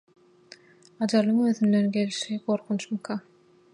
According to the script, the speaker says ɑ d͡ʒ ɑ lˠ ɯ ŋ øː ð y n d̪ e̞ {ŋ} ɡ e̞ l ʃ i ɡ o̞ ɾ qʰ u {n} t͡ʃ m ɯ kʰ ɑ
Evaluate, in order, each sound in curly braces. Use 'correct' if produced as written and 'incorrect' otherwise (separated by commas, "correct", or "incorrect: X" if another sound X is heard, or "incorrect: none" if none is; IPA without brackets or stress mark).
incorrect: n, correct